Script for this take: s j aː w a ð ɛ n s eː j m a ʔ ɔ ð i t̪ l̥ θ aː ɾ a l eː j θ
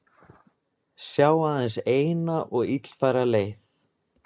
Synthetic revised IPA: s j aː w a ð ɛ n s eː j n a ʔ ɔ ɣ i t̪ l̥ f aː ɾ a l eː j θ